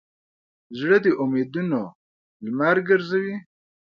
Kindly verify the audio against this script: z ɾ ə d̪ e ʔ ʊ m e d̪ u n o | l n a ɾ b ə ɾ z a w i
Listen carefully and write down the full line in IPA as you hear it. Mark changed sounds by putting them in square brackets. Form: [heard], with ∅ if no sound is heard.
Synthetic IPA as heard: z [ɽ] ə d̪ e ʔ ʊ m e d̪ u n o | l [m] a ɾ [ɡ] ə ɾ z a w i